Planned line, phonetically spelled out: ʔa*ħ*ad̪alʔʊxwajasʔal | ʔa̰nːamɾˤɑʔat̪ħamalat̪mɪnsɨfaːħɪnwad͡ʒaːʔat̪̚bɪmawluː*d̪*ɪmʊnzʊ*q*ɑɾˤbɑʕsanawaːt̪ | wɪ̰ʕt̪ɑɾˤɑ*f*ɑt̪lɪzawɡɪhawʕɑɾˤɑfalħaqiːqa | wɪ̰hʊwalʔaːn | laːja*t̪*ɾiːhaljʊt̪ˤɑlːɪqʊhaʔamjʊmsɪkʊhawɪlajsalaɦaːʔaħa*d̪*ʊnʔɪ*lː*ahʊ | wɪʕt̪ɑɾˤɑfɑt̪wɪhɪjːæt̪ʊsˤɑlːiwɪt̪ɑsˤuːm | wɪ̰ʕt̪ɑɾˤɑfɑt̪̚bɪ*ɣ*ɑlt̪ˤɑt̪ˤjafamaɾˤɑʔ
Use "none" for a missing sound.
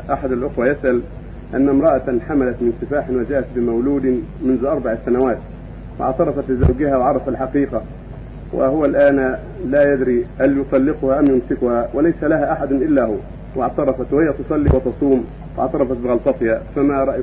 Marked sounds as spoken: ħ, d̪, ʔ, f, d̪, d̪, lː, ɣ

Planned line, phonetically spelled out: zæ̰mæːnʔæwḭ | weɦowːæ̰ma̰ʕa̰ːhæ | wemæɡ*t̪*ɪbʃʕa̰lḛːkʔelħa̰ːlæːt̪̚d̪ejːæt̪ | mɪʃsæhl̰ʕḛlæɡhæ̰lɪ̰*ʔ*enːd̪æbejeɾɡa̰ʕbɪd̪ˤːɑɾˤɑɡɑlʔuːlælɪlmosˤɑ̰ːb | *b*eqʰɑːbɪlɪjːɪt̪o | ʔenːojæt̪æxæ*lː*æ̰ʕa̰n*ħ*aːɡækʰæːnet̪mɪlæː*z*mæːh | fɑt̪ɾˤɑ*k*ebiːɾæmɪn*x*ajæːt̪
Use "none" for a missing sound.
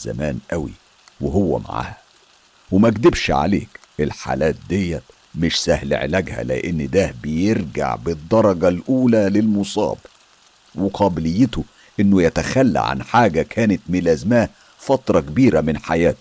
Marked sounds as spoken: d̪, ʔ, w, lː, ħ, z, k, ħ

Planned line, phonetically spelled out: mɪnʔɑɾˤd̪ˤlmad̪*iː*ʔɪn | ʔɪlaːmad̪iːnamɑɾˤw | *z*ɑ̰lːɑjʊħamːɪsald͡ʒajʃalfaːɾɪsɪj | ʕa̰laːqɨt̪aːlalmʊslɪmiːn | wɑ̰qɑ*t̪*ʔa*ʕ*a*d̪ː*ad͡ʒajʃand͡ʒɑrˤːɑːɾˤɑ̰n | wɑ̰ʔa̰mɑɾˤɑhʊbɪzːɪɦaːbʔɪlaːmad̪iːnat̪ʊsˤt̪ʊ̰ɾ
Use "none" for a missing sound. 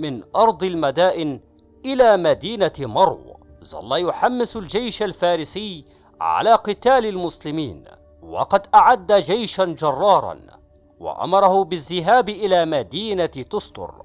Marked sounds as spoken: aː, z, d̪, ʕ, d̪ː

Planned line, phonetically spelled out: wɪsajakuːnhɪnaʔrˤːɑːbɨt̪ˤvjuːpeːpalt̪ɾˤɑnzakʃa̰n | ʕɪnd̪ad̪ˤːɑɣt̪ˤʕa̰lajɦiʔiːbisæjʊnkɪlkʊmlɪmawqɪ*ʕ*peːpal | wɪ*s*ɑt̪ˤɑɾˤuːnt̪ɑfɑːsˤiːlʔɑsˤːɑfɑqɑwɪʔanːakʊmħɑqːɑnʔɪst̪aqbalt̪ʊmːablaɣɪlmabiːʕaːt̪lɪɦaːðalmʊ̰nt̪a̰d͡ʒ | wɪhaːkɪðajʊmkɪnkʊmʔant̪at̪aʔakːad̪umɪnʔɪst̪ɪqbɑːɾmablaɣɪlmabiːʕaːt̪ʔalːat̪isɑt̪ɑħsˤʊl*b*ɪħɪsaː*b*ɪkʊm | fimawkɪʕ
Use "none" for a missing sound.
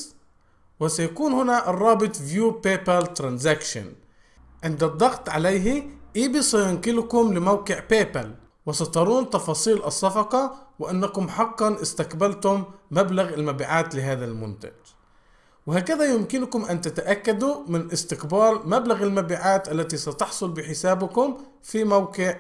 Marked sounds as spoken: ʕ, s, b, b

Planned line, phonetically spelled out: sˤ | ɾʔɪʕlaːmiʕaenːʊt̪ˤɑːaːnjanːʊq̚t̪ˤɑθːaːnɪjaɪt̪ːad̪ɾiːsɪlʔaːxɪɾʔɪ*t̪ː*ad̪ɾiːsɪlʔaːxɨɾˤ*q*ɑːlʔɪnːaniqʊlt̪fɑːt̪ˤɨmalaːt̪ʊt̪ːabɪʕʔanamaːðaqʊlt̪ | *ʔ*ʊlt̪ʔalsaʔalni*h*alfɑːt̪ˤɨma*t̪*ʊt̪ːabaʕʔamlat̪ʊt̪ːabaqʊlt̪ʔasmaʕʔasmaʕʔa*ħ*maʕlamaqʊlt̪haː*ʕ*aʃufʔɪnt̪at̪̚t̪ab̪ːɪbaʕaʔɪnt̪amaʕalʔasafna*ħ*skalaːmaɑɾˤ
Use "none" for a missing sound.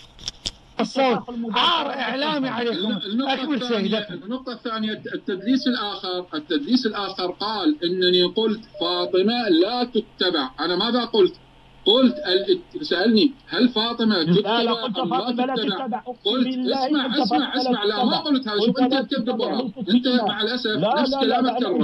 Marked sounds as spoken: t̪ː, q, q, h, t̪, s, ð, f

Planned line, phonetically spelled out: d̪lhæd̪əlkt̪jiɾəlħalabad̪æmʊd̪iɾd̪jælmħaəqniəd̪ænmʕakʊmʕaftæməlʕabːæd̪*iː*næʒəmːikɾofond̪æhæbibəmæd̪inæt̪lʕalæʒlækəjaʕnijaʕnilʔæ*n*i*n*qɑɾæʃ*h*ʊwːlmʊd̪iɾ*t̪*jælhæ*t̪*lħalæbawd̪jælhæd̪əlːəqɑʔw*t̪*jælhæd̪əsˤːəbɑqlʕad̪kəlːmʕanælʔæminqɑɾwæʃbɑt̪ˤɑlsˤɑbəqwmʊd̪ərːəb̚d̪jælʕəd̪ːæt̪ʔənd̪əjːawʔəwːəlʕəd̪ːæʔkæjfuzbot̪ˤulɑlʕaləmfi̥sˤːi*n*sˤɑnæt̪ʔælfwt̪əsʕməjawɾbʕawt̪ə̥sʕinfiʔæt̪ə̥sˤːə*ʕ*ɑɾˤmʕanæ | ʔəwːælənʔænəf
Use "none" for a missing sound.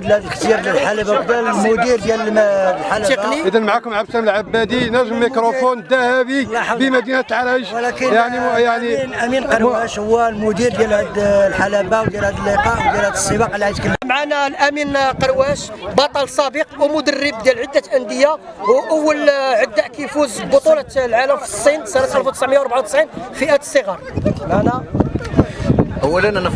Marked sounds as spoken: i, m, n, h, d̪, d̪, d̪, n, ɣ

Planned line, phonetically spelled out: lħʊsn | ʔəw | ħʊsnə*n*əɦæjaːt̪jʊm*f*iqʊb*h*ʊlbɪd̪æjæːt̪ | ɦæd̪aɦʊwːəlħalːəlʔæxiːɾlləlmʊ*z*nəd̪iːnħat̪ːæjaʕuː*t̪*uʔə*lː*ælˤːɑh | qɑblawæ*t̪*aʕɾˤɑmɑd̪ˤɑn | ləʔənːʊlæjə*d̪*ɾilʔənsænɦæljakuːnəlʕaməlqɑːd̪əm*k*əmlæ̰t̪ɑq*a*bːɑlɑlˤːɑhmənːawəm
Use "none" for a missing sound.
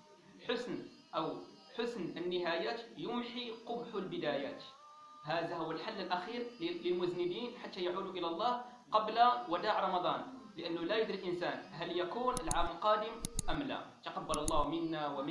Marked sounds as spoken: nː, ħ, ħ, z, d̪, l, d̪, d̪, ʔ, ɑ

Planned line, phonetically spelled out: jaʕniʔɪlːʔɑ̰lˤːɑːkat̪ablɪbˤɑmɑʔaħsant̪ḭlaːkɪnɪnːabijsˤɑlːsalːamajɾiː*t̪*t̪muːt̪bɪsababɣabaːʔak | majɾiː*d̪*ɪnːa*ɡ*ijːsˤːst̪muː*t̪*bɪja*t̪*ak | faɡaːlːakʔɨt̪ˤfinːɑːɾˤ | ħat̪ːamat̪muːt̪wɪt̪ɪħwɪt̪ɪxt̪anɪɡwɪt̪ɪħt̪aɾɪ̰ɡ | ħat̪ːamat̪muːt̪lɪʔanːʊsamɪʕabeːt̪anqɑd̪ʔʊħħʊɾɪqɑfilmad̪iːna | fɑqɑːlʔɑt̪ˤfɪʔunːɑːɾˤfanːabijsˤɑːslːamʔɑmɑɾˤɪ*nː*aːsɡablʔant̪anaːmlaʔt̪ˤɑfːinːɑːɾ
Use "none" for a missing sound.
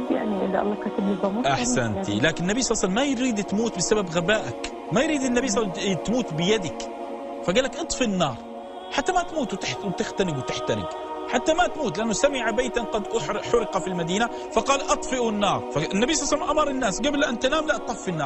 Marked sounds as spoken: d̪, d̪, b, t̪, d̪, nː

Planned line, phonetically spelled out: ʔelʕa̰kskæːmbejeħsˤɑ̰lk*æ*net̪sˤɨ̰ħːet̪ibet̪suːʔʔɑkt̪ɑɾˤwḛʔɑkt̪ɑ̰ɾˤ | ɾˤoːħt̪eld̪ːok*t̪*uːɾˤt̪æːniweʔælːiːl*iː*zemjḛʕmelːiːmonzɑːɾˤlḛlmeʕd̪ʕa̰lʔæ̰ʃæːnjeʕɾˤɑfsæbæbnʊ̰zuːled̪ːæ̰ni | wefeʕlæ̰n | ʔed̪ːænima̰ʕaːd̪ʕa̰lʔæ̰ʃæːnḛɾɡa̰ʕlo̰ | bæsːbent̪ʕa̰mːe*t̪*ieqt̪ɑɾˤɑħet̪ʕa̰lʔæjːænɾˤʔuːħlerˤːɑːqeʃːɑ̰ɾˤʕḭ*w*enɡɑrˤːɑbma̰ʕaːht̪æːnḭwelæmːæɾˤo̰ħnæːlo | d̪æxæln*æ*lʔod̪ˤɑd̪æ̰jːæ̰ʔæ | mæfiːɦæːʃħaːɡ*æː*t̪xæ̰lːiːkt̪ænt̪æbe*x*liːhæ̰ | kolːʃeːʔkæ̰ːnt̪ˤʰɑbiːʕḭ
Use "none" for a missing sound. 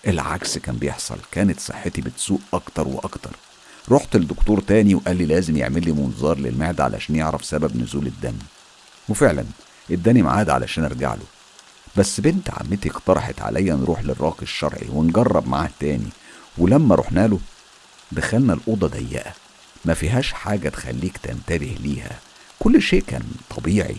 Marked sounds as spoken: æː, t̪, æː, t̪, w, æ, æ, h

